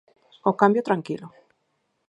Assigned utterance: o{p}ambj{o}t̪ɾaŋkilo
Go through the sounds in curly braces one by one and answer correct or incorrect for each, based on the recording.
incorrect: k, correct

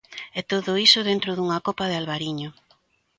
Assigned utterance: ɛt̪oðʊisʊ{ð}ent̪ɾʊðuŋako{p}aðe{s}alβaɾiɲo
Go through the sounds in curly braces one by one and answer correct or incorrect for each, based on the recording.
correct, correct, incorrect: none

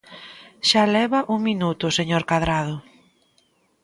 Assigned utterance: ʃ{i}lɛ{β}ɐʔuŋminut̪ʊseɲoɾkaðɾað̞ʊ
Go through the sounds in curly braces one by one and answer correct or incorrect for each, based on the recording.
incorrect: a, correct

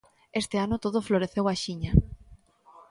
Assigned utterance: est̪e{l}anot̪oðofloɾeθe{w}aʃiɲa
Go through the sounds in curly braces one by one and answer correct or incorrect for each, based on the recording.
incorrect: none, correct

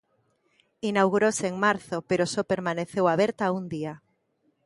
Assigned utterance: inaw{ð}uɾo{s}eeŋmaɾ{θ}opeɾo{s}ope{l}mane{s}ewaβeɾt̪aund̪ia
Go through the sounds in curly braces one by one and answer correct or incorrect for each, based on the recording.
incorrect: ɣ, correct, correct, correct, incorrect: ɾ, incorrect: θ

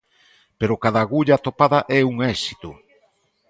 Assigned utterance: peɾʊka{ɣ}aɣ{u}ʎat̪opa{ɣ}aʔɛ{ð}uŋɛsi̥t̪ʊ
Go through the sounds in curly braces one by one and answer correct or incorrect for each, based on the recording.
incorrect: ð, correct, incorrect: ð, incorrect: none

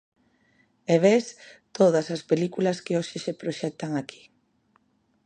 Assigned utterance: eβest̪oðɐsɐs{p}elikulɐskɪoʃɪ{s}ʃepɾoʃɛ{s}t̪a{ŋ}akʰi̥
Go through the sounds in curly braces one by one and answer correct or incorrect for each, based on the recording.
correct, incorrect: none, incorrect: none, correct

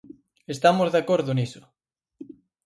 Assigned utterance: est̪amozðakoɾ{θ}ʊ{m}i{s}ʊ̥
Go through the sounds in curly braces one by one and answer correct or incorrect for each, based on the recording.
incorrect: ð, incorrect: n, correct

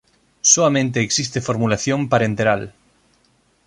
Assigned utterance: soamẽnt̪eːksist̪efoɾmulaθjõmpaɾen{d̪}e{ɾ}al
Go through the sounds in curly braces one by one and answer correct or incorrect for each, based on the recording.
incorrect: t̪, correct

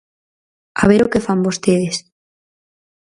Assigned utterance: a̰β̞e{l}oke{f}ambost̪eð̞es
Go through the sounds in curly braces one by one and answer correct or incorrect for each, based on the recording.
incorrect: ɾ, correct

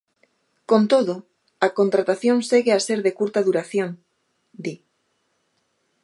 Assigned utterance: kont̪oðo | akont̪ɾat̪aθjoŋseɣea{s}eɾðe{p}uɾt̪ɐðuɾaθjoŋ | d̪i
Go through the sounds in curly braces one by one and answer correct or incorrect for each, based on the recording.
correct, incorrect: k

